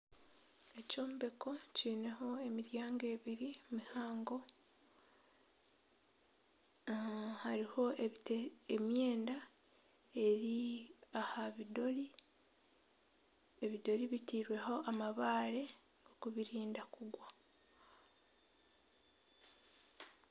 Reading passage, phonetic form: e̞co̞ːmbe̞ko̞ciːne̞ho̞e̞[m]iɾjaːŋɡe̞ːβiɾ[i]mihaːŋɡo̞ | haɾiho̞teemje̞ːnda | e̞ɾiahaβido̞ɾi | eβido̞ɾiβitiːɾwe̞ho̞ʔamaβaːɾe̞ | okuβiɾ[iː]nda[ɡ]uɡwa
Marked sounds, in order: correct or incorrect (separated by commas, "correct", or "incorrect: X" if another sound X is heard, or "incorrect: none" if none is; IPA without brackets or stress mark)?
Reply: correct, correct, correct, incorrect: k